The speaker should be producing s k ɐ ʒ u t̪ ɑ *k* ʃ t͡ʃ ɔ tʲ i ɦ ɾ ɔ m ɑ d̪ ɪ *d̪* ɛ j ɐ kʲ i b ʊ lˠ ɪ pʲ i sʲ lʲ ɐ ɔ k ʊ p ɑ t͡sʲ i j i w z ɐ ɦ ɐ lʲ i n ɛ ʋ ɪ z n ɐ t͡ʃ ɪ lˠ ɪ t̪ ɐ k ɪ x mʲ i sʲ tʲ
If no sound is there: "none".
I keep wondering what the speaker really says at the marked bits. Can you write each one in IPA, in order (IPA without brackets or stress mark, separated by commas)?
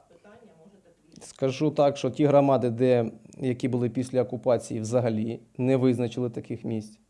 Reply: k, d̪